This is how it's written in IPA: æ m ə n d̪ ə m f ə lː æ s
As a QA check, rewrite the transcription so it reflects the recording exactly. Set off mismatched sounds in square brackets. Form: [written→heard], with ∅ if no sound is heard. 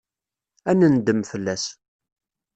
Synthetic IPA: æ [m→n] ə n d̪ ə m f ə lː æ s